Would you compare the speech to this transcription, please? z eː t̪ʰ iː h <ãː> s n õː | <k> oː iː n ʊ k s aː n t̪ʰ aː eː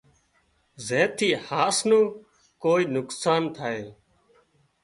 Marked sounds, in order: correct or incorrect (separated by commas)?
incorrect, correct